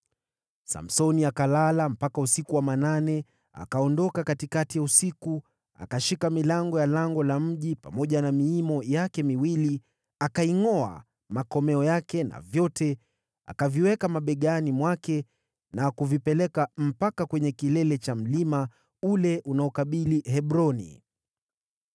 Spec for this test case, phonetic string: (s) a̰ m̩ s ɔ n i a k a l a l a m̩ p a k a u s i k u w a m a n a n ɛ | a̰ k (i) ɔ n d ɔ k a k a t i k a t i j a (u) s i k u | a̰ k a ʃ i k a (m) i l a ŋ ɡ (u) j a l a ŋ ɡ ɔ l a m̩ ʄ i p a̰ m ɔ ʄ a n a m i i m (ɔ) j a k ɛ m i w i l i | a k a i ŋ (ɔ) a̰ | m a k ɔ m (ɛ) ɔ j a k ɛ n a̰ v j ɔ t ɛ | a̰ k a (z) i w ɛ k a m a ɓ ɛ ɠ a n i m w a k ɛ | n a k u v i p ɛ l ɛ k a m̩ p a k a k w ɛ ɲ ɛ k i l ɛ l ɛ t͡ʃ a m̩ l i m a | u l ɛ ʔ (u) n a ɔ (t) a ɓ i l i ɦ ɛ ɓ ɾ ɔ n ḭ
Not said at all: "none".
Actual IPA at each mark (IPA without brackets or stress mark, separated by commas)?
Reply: s, a, u, m, ɔ, ɔ, ɔ, ɛ, v, u, k